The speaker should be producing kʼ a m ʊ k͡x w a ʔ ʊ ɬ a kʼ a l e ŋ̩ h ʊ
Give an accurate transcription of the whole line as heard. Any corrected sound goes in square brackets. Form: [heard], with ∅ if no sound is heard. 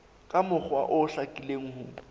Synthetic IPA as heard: kʼ a m ʊ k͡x w a ʔ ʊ ɬ a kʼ [i] l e ŋ̩ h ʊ

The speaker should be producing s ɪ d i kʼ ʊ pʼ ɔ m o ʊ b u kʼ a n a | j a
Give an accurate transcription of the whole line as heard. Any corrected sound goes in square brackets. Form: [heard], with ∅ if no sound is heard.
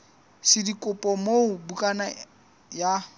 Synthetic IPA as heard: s ɪ d i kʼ ʊ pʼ ɔ m o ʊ b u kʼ a n a | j a

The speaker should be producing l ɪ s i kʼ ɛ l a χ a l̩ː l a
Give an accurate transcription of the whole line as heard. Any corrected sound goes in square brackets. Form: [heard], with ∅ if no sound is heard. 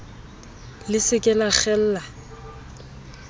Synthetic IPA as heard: l ɪ s [ɪ] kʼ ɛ l a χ [ɛ] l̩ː l a

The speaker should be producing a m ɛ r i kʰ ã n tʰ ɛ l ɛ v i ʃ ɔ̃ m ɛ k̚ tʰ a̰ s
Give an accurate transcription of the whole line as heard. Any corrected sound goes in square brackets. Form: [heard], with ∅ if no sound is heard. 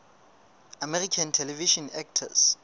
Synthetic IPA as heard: a m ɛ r i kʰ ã n tʰ ɛ l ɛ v i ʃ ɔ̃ [n] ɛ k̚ tʰ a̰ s

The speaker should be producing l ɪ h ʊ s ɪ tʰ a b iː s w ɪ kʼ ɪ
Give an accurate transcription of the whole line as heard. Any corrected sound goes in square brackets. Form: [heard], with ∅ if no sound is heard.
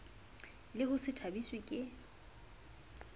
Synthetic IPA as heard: l ɪ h ʊ s ɪ tʰ a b [i] s w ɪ kʼ ɪ

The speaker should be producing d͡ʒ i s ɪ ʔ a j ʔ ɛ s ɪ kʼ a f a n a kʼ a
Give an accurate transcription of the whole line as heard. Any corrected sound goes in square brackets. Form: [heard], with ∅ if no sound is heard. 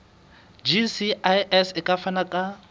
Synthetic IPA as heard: d͡ʒ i s [i] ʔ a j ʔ ɛ s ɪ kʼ a f a n a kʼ a

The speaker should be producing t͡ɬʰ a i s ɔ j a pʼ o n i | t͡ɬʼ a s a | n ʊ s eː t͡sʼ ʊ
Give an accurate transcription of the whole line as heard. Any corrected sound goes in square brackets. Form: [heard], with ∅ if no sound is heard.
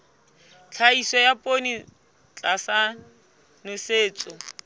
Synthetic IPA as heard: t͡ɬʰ a i s ɔ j a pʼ o n i | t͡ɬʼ a s a | n ʊ s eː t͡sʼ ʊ

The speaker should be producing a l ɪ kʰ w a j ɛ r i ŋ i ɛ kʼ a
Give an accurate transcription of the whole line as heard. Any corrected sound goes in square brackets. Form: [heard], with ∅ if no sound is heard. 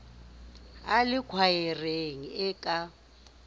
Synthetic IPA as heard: a l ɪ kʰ w a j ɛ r [e] ŋ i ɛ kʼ a

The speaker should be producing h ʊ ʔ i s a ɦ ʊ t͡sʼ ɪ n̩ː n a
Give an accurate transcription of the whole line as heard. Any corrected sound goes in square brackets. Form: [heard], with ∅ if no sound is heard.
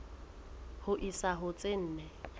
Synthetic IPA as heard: h ʊ ʔ i s a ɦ ʊ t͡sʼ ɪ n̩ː n [ɛ]

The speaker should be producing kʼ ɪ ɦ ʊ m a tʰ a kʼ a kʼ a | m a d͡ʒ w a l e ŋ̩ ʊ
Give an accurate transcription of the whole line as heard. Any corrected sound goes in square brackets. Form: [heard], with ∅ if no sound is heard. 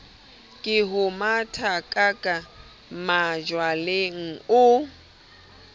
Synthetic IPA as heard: kʼ ɪ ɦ ʊ m a tʰ a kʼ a kʼ a | m a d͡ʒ w a l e ŋ̩ ʊ

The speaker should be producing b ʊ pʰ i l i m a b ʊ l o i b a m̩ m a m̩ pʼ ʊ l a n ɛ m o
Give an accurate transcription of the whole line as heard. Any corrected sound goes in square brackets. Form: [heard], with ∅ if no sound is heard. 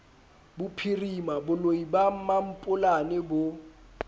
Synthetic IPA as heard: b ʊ pʰ i [r] i m a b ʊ l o i b a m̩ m a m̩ pʼ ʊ l a n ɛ [b] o

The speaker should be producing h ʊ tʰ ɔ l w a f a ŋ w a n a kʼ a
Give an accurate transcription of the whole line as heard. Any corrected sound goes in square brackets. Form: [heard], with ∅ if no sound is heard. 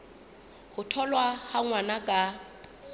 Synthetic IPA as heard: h ʊ tʰ ɔ l w a [h] a ŋ w a n a kʼ a

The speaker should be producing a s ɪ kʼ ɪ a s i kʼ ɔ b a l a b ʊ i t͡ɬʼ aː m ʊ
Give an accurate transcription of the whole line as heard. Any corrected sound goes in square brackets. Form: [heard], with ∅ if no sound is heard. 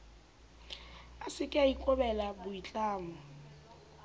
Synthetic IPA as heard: a s ɪ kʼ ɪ a [∅] i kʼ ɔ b [ɛ] l a b ʊ i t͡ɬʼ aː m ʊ

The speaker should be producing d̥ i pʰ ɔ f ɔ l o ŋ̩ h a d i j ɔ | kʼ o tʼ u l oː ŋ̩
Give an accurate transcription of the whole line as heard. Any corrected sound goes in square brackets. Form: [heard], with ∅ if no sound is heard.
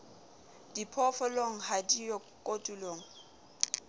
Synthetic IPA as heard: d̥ i pʰ ɔ f ɔ l o ŋ̩ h a d i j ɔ | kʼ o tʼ u l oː ŋ̩

